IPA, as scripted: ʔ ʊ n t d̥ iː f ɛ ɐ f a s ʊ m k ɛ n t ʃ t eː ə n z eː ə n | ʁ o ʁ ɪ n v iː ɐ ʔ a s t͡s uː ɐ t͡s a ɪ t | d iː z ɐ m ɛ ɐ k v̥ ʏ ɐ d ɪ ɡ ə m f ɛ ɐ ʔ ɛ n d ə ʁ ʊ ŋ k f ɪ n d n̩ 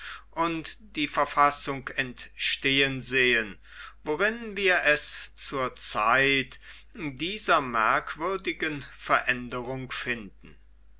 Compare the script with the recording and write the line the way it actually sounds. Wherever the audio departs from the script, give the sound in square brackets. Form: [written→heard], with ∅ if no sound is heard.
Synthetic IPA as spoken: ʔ ʊ n t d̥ iː f ɛ ɐ f a s ʊ [m→ŋ] k ɛ n t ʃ t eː ə n z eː ə n | [ʁ→v] o ʁ ɪ n v iː ɐ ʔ [a→ɛ] s t͡s uː ɐ t͡s a ɪ t | d iː z ɐ m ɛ ɐ k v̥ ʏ ɐ d ɪ ɡ ə [m→n] f ɛ ɐ ʔ ɛ n d ə ʁ ʊ ŋ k f ɪ n d n̩